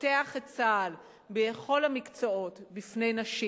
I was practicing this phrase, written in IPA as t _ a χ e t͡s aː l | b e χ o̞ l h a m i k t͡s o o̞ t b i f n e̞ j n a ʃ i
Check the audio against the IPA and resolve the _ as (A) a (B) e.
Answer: B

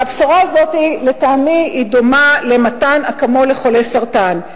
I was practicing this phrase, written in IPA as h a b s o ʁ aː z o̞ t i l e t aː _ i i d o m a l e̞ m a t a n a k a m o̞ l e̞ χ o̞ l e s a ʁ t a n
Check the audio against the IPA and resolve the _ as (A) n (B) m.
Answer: B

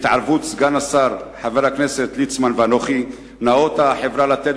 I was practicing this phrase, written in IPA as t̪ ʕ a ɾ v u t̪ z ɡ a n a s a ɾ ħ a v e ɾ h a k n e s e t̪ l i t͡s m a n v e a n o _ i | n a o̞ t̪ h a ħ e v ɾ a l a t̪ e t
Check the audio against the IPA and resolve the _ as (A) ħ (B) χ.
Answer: B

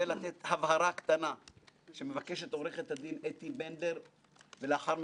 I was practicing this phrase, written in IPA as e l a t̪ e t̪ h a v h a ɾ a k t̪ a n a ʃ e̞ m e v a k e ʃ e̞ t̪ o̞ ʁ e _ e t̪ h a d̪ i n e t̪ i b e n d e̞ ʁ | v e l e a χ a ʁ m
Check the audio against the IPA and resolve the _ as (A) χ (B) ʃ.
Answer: A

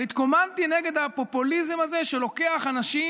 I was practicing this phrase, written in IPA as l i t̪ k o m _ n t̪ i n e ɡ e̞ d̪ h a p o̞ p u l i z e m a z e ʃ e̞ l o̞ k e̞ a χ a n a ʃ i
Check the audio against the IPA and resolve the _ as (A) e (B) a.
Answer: B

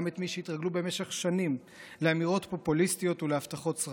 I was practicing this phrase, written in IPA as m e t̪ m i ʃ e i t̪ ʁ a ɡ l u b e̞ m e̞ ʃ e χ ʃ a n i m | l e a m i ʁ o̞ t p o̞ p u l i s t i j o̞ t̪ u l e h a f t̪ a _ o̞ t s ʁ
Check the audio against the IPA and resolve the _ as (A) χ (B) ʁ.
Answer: A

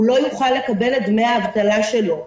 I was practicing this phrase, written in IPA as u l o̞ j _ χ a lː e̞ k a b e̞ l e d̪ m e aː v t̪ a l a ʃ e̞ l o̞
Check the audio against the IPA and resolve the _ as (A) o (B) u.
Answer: B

